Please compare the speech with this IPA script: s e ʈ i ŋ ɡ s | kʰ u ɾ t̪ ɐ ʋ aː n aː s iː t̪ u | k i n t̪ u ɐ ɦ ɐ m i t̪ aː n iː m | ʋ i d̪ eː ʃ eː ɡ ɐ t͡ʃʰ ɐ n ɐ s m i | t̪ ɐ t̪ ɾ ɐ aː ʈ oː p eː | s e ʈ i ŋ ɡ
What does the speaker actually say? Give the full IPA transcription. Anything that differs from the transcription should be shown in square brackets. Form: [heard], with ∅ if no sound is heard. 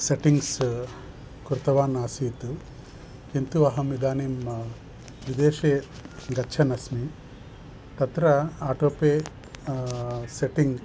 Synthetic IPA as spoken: s e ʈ i ŋ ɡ s | [k] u ɾ t̪ ɐ ʋ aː n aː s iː t̪ u | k i n t̪ u ɐ ɦ ɐ m i [d̪] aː n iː m | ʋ i d̪ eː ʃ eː ɡ ɐ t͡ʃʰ ɐ n ɐ s m i | t̪ ɐ t̪ ɾ ɐ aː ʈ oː p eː | s e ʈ i ŋ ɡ